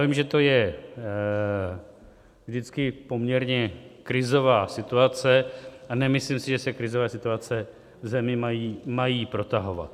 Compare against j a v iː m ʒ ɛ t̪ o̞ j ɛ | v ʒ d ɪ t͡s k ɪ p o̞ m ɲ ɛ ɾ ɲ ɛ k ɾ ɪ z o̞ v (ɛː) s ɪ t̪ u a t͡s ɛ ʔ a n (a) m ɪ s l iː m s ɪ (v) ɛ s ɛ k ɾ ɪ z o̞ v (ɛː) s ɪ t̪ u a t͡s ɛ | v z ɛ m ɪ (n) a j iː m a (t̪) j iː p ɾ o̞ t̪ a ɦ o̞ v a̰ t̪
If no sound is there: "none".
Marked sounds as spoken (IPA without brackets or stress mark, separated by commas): aː, ɛ, ʒ, ɛː, m, none